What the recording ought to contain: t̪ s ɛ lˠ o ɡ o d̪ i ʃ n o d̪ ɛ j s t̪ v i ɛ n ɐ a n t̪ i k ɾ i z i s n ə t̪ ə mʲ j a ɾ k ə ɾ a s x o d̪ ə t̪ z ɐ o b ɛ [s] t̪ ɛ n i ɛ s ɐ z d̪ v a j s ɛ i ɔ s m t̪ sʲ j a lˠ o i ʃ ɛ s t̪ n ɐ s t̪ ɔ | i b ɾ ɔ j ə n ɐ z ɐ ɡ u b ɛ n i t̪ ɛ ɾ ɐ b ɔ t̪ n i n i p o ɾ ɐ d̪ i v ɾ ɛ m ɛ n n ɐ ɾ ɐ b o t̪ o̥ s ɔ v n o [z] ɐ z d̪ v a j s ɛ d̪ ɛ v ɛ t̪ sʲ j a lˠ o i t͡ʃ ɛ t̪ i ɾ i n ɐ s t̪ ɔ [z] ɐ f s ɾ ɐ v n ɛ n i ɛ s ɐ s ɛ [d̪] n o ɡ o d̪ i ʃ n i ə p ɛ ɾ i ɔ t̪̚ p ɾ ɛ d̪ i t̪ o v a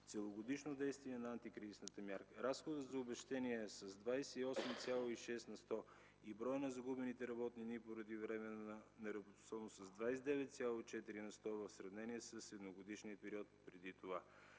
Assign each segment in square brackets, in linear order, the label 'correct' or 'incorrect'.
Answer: incorrect, incorrect, incorrect, correct

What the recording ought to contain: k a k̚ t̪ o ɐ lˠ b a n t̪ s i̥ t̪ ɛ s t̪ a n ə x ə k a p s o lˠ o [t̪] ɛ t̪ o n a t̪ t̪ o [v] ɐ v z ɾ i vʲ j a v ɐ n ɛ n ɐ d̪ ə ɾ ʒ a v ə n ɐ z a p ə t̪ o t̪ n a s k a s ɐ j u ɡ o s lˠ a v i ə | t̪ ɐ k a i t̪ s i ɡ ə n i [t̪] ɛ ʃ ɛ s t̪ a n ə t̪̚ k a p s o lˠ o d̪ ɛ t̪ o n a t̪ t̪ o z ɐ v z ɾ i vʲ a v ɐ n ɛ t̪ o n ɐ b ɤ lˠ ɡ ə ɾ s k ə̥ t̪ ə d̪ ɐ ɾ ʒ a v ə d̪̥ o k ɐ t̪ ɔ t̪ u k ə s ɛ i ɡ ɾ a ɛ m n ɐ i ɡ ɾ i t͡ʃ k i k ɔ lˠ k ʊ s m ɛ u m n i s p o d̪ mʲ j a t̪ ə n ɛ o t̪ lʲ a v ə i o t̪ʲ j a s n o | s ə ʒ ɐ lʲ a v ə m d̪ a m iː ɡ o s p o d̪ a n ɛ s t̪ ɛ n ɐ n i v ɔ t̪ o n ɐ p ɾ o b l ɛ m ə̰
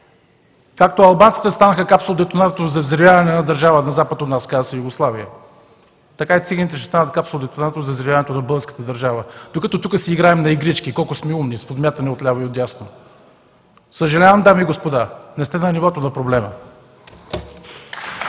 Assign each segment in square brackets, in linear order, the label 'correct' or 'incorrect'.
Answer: incorrect, incorrect, correct

